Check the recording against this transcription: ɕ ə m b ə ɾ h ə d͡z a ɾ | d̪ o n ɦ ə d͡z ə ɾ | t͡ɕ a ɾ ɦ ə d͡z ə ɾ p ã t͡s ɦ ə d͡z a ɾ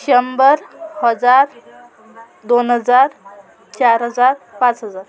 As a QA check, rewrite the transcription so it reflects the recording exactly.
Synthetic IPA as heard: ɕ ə m b ə ɾ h ə d͡z a ɾ | d̪ o n ɦ ə d͡z a ɾ | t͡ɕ a ɾ ɦ ə d͡z a ɾ p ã t͡s ɦ ə d͡z a ɾ